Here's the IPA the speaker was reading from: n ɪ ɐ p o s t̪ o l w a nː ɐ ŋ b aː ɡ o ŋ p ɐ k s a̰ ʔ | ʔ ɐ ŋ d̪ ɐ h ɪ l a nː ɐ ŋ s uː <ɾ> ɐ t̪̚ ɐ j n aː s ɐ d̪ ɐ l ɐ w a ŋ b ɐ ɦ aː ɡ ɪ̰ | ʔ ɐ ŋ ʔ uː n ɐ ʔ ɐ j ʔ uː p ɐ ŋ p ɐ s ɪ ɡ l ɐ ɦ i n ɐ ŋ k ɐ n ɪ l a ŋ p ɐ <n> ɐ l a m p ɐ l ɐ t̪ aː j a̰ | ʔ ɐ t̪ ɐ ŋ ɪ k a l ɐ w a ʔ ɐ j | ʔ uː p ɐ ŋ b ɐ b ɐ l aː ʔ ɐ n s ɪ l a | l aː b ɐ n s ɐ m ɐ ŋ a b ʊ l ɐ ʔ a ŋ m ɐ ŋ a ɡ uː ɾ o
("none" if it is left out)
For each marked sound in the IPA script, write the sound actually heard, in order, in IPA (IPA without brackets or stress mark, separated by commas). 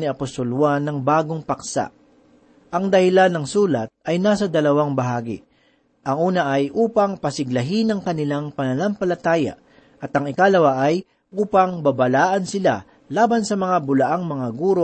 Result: l, n